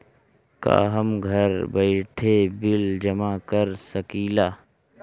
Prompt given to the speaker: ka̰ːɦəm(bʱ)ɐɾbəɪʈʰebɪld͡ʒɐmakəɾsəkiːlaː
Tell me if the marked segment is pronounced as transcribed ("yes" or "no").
no